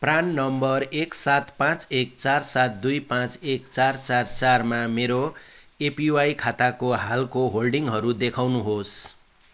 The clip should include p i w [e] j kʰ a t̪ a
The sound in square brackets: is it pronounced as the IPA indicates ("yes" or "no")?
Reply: no